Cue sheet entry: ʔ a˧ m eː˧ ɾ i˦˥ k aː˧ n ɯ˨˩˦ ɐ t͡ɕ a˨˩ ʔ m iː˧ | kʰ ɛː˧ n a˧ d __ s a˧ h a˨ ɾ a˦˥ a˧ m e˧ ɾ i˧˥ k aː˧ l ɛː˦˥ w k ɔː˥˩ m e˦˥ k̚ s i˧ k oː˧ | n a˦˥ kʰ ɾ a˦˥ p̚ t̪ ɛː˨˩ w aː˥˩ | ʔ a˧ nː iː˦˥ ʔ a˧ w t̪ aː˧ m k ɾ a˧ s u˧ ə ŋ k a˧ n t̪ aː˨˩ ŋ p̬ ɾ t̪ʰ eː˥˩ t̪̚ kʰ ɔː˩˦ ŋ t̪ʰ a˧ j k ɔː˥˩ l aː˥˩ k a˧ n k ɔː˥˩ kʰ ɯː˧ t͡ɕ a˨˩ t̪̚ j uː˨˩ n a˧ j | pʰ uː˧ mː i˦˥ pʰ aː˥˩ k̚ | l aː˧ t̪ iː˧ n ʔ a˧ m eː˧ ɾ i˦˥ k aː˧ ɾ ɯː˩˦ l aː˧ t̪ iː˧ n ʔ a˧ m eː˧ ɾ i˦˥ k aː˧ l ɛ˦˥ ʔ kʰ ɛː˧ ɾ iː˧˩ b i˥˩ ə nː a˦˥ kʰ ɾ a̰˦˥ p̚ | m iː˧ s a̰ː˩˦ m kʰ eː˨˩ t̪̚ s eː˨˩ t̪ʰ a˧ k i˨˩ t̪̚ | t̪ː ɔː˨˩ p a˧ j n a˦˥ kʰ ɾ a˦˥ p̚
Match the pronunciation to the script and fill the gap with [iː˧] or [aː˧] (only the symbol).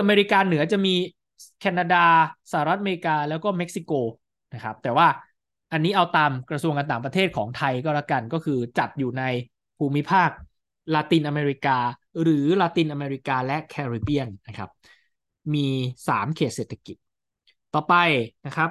aː˧